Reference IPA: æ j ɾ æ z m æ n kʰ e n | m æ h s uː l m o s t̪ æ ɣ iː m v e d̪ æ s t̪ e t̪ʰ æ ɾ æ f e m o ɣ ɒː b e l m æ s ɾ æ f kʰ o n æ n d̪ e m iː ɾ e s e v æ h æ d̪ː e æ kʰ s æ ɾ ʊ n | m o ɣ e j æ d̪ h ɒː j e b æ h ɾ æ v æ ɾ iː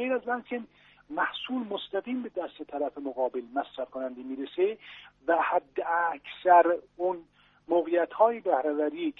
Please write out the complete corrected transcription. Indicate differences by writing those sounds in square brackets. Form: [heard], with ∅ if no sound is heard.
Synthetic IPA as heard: [e] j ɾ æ z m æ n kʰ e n | m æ h s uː l m o s t̪ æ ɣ iː m [b] e d̪ æ s t̪ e t̪ʰ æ ɾ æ f e m o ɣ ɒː b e l m æ s ɾ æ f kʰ o n æ n d̪ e m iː ɾ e s e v æ h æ d̪ː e æ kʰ s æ ɾ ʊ n | m o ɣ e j æ [t̪] h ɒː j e b æ h ɾ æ v æ ɾ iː